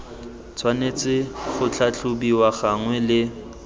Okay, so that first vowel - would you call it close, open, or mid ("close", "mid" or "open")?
open